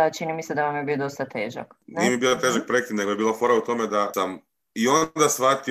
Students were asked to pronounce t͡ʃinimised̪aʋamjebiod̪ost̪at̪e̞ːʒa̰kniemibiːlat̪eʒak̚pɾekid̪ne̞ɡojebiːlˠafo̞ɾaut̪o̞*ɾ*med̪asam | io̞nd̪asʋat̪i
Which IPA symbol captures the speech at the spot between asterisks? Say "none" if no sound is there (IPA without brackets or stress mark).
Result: none